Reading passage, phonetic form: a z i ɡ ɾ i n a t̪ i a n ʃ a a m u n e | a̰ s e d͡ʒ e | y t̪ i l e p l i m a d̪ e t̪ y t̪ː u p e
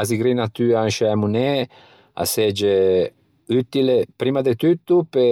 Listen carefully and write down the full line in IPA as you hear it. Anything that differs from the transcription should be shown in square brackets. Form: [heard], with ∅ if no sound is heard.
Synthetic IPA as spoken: a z i ɡ ɾ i n a t̪ [y] a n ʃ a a m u n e | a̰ s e d͡ʒ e | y t̪ i l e p [ɾ] i m a d̪ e t̪ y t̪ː u p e